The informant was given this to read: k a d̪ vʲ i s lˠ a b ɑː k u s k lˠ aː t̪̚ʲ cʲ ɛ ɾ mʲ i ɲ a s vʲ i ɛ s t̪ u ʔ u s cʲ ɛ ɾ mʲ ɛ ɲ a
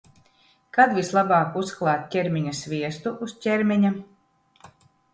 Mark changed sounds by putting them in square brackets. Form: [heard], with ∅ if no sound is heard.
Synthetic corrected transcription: k a d̪ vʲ i s lˠ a b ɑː k u s k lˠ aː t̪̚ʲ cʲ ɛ ɾ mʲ i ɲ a s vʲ i ɛ s t̪ u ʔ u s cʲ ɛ ɾ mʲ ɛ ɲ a